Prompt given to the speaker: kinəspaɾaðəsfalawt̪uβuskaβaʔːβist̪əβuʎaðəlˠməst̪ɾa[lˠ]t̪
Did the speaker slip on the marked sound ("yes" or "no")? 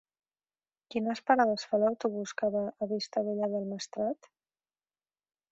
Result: yes